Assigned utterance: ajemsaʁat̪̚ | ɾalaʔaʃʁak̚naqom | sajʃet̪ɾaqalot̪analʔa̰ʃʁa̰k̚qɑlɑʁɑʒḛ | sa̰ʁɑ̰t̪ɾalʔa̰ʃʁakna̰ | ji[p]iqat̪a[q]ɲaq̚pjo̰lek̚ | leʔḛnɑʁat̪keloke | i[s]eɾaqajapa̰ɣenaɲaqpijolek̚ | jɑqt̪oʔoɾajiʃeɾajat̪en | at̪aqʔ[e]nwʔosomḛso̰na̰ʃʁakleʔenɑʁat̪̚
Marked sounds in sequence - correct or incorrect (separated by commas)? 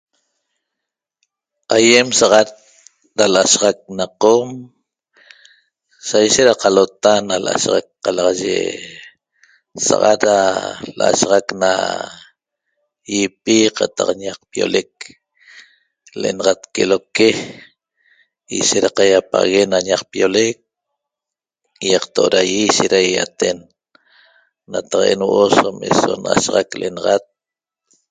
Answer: correct, correct, incorrect, correct